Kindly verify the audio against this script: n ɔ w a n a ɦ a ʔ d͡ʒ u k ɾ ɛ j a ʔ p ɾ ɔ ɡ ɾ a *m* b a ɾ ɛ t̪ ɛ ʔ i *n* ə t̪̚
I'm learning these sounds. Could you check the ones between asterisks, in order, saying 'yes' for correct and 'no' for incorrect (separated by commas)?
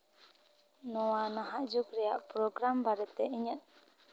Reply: yes, no